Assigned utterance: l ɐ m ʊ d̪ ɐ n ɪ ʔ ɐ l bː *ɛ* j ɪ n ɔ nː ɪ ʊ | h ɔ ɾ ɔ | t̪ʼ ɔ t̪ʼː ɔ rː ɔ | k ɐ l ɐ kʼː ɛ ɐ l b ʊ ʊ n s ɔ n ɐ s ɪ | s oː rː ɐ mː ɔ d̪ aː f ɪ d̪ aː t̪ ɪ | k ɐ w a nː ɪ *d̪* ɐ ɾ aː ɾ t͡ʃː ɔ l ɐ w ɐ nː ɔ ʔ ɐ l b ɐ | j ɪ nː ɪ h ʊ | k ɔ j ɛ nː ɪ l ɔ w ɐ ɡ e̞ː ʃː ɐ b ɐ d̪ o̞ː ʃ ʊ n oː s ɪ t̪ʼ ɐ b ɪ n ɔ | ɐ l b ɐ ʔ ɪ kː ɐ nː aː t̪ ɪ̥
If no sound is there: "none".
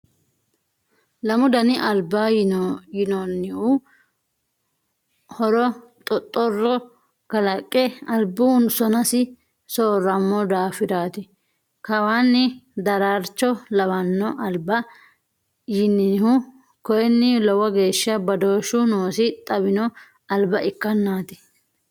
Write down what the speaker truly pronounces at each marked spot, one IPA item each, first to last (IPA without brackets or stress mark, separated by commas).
a, d̪